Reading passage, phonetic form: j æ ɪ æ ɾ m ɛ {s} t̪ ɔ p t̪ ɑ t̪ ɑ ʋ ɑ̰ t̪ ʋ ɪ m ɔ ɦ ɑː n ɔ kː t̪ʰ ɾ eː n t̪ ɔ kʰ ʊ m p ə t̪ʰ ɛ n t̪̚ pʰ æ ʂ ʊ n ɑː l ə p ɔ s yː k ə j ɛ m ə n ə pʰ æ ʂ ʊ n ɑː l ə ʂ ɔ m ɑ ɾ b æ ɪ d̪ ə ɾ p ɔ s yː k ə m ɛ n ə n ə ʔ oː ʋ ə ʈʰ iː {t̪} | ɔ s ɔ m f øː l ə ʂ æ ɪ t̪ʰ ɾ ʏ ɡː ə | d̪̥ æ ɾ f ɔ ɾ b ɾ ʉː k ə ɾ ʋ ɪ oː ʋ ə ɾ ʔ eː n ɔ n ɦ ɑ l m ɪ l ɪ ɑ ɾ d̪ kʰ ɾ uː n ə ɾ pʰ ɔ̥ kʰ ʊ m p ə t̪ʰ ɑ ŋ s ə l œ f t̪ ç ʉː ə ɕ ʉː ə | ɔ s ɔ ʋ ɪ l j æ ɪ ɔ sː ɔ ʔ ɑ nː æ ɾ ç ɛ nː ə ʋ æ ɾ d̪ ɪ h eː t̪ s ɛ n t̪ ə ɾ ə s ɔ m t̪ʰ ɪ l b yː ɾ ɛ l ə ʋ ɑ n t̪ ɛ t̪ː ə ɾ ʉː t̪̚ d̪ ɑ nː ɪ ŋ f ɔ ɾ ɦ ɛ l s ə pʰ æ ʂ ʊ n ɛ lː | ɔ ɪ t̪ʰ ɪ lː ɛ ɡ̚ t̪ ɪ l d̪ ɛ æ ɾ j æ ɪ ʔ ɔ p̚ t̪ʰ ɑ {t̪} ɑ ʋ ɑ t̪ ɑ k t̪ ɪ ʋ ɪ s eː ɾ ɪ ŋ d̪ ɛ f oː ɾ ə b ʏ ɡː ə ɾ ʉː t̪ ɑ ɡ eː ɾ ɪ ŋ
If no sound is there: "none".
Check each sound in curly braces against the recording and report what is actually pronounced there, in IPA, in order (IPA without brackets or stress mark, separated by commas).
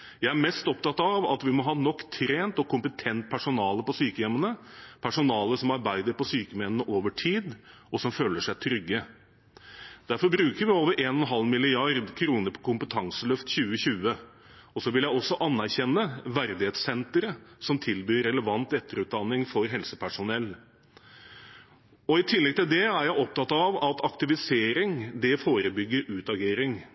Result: s, d̪, t̪